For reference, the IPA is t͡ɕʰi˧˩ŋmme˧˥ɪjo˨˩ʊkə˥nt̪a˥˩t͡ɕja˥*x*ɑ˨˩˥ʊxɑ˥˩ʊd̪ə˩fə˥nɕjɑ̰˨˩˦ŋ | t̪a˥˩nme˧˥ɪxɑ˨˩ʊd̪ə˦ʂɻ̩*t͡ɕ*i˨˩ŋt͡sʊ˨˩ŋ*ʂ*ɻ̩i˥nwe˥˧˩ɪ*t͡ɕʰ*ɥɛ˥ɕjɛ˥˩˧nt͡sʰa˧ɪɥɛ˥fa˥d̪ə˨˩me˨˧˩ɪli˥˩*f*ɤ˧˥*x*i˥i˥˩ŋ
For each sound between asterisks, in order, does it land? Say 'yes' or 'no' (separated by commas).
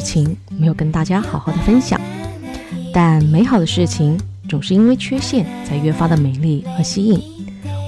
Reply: yes, no, yes, yes, no, no